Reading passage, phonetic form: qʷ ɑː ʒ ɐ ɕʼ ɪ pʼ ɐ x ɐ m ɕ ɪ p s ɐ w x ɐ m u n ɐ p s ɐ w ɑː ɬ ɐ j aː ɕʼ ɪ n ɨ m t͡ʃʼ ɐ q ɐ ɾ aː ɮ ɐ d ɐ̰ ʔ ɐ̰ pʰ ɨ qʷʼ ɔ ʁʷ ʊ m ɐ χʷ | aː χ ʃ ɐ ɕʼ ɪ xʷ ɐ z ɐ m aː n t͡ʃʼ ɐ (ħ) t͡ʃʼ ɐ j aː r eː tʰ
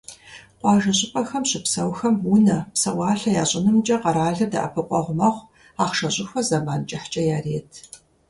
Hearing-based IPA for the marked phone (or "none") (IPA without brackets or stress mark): ħ